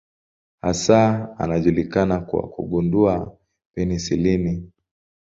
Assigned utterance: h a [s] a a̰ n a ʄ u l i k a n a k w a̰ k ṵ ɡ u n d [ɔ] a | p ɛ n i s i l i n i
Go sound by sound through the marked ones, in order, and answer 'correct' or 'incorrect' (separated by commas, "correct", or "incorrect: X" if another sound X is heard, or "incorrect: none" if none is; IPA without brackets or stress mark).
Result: correct, incorrect: u